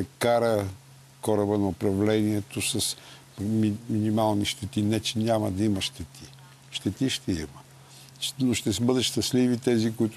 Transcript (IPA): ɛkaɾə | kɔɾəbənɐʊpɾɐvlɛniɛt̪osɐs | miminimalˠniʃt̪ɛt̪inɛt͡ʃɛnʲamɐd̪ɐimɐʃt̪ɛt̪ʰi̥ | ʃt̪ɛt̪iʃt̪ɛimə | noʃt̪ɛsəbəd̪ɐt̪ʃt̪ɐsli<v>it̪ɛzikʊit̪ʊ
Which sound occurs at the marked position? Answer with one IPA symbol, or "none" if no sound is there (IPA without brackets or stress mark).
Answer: v